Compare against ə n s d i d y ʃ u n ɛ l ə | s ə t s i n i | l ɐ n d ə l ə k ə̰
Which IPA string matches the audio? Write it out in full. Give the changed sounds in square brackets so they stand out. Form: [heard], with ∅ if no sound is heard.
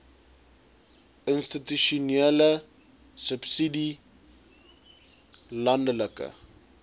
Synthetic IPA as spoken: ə n s [t] i [t] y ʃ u n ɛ l ə | s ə [p] s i [d] i | l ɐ n d ə l ə k ə̰